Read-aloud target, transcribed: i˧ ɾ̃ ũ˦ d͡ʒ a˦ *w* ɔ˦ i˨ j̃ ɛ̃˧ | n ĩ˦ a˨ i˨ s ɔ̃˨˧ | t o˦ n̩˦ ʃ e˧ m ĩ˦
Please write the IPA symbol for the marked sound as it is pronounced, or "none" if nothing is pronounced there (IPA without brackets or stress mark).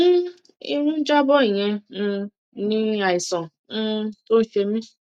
b